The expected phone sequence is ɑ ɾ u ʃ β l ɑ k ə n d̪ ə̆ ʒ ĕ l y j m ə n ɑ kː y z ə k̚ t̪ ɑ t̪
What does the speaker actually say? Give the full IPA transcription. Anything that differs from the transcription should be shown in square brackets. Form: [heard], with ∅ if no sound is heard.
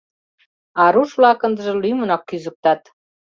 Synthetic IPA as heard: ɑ ɾ u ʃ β l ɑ k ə n d̪ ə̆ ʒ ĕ l y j m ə n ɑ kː y z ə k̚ t̪ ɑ t̪